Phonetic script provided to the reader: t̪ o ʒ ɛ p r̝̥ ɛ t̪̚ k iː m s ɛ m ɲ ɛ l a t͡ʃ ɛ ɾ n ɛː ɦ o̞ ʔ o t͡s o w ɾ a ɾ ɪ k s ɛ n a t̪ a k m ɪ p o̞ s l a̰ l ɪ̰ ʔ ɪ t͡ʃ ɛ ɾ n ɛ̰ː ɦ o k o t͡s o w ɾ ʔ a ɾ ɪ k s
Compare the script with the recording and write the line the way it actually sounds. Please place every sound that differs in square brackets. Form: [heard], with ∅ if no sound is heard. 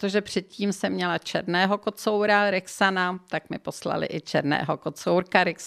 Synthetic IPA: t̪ o ʒ ɛ p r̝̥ ɛ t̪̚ [c] iː m s ɛ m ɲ ɛ l a t͡ʃ ɛ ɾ n ɛː ɦ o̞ [k] o t͡s o w ɾ a ɾ ɪ k s [a] n a t̪ a k m ɪ p o̞ s l a̰ l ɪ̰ ʔ ɪ t͡ʃ ɛ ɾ n ɛ̰ː ɦ o k o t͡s o w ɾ [k] a ɾ ɪ k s